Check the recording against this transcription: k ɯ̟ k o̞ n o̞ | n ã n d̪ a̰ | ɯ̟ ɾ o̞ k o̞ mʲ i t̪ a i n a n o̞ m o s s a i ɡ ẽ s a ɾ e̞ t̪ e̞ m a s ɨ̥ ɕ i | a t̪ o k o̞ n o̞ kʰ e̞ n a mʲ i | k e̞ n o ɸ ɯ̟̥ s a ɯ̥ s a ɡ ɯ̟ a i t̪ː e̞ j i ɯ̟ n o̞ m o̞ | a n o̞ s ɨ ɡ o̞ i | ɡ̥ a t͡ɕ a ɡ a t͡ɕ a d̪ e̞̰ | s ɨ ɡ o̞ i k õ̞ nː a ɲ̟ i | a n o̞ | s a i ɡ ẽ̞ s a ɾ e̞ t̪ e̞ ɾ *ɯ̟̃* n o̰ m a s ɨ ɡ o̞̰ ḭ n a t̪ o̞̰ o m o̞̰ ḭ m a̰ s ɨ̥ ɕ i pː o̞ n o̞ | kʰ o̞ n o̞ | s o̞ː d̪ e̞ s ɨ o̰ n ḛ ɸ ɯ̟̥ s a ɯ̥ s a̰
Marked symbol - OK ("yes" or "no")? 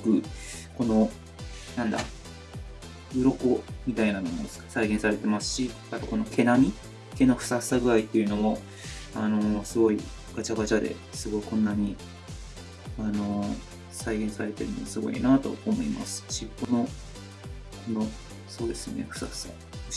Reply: no